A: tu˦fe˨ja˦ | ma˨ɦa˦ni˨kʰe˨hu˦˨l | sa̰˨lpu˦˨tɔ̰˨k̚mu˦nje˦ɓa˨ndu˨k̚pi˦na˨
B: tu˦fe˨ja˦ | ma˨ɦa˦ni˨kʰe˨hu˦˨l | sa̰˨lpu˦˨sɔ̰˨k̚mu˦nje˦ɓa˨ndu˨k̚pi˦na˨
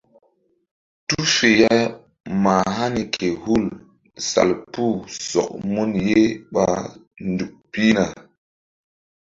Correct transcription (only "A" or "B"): B